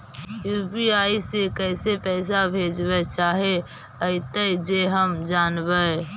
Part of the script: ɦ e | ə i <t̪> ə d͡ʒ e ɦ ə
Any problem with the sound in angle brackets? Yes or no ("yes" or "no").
no